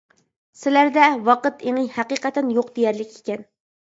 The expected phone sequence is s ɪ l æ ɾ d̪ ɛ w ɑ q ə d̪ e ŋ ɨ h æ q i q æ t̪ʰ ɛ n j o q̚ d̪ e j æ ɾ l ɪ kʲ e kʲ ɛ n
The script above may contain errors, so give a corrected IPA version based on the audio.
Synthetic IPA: s ɪ l æ ɾ d̪ ɛ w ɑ q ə t̪ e ŋ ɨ h æ q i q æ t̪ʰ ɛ n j o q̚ d̪ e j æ ɾ l ɪ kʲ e kʲ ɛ n